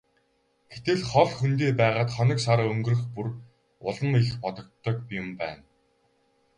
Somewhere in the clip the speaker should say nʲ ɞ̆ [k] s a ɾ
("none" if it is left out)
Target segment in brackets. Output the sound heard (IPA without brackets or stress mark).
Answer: k